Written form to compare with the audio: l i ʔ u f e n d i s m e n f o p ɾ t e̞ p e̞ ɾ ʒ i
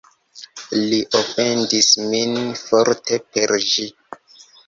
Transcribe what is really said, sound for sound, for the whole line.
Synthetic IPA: l i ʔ o f e n d i s m i n f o ɾ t e̞ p e̞ ɾ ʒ i